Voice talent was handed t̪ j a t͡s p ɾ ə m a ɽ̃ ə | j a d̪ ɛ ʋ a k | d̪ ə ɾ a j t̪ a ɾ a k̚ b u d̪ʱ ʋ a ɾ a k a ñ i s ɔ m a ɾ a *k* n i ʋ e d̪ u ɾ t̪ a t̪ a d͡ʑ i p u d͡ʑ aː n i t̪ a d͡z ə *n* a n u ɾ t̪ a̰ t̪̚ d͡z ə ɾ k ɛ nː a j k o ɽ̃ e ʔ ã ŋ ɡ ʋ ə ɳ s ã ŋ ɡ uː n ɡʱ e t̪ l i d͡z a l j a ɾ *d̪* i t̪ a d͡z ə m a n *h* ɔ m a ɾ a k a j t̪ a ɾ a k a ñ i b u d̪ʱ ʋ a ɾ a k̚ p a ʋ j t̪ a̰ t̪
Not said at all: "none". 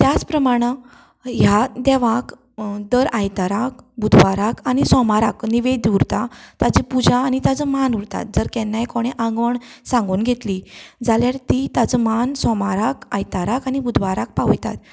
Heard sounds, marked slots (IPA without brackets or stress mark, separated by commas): k, m, t̪, s